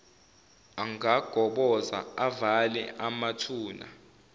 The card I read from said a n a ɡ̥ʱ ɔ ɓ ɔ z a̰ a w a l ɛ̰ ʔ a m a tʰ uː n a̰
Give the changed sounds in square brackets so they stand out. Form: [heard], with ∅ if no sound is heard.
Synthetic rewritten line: a [ŋ] a ɡ̥ʱ ɔ ɓ ɔ z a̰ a [v] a l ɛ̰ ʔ a m a tʰ uː n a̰